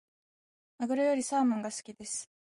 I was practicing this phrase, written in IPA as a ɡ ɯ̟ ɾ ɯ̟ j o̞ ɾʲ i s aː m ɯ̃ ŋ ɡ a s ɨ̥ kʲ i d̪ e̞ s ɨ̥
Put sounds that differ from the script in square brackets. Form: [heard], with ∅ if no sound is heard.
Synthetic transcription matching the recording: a ɡ ɯ̟ ɾ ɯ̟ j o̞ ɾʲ i s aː m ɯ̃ ŋ ɡ a s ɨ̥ kʲ i d̪ e̞ s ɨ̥